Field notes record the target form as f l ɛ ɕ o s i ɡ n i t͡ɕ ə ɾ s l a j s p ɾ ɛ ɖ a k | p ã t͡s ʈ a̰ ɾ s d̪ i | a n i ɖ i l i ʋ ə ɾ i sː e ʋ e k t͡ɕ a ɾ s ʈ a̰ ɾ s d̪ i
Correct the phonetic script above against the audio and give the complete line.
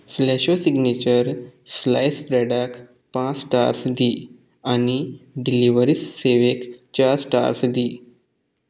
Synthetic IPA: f l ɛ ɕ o s i ɡ n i t͡ɕ ə ɾ s l a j s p ɾ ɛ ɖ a k | p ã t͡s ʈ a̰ ɾ s d̪ i | a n i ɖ i l i ʋ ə ɾ i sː e ʋ e k t͡ɕ a ɾ s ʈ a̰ ɾ s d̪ i

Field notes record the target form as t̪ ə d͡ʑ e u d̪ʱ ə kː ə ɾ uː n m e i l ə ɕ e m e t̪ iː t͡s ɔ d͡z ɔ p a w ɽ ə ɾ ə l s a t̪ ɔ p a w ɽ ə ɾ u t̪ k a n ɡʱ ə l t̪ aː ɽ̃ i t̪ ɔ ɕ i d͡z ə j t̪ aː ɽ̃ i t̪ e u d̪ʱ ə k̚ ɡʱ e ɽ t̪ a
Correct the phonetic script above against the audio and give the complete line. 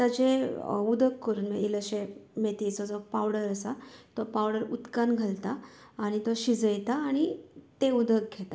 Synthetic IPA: t̪ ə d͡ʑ e u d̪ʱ ə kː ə ɾ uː n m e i l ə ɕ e m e t̪ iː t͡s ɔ d͡z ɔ p a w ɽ ə ɾ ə s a t̪ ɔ p a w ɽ ə ɾ u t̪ k a n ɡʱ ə l t̪ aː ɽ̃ i t̪ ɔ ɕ i d͡z ə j t̪ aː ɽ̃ i t̪ e u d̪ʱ ə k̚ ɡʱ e t̪ a

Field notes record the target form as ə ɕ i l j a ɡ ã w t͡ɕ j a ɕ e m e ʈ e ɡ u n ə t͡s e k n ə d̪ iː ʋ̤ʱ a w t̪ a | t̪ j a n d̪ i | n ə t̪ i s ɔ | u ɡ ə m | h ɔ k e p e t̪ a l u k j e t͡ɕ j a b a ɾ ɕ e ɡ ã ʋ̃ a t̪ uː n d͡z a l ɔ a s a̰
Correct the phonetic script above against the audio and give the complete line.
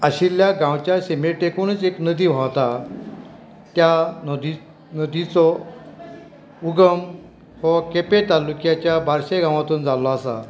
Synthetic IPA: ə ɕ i l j a ɡ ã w t͡ɕ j a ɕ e m e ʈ e k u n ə t͡s e k n ə d̪ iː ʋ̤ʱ a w t̪ a | t̪ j a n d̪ i | n ə d̪ i t͡s ɔ | u ɡ ə m | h ɔ k e p e t̪ a l u k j a t͡ɕ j a b a ɾ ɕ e ɡ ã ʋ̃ a t̪ uː n d͡z a l ɔ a s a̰

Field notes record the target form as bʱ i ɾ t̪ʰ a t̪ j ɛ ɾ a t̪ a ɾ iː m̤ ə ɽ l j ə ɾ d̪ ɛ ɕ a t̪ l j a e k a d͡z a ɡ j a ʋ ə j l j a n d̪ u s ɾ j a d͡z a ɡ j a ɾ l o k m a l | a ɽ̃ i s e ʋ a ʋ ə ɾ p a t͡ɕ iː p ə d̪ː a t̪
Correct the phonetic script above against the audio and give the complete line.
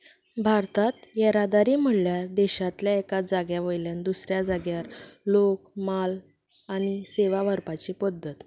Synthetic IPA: bʱ a ɾ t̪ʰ a t̪ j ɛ ɾ a d̪ a ɾ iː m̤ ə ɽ l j a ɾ d̪ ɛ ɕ a t̪ l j a e k a d͡z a ɡ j a ʋ ə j l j a n d̪ u s ɾ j a d͡z a ɡ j a ɾ l o k m a l | a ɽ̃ i s e ʋ a ʋ ə ɾ p a t͡ɕ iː p ə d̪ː ə t̪

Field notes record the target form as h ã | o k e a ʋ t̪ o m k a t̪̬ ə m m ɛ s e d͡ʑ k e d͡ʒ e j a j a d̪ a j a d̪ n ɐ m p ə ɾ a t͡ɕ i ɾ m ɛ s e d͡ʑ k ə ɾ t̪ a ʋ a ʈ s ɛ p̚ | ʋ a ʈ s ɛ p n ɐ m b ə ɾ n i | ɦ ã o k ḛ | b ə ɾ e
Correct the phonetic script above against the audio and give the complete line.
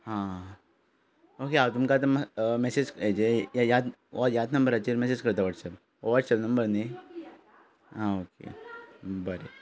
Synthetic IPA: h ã | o k e a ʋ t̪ u m k a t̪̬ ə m m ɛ s e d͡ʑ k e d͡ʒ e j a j a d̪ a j a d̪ n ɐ m b ə ɾ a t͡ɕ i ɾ m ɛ s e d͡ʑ k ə ɾ t̪ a ʋ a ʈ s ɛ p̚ | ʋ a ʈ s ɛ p n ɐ m b ə ɾ n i | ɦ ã o k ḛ | b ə ɾ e

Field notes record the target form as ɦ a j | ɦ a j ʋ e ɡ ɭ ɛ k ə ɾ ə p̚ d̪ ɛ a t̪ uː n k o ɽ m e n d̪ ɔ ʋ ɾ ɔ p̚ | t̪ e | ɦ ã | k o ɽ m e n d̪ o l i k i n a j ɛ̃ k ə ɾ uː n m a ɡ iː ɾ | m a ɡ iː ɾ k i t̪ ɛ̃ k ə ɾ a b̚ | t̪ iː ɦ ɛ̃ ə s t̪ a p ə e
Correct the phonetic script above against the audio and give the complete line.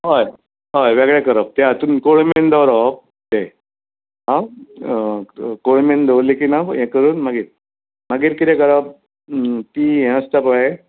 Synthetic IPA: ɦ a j | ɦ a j ʋ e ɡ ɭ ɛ k ə ɾ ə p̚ t̪ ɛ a t̪ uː n k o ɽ m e n d̪ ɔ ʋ ɾ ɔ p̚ | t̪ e | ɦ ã | k o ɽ m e n d̪ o l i k i n a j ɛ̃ k ə ɾ uː n m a ɡ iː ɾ | m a ɡ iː ɾ k i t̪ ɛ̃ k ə ɾ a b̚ | t̪ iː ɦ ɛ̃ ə s t̪ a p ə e

